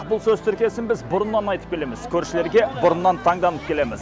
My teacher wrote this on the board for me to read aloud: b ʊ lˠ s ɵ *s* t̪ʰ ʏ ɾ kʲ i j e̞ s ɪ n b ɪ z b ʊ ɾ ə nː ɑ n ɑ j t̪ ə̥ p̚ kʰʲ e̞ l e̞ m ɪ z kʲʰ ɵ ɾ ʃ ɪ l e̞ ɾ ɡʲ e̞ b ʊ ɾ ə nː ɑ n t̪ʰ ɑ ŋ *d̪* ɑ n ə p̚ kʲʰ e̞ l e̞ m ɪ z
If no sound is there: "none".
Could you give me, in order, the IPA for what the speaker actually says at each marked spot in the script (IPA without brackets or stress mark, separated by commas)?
z, d̪